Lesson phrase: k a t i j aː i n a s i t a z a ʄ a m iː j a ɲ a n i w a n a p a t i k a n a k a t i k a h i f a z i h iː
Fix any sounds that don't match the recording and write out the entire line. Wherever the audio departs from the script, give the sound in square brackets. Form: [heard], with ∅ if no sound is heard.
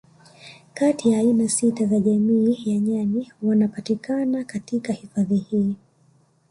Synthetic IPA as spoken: k a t i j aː i n a s i t a z a ʄ a m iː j a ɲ a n i w a n a p a t i k a n a k a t i k a h i f a [ð] i h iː